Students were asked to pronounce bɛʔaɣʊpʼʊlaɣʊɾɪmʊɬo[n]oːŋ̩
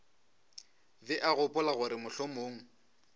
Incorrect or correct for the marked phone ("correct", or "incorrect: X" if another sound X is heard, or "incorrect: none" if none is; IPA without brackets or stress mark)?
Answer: incorrect: m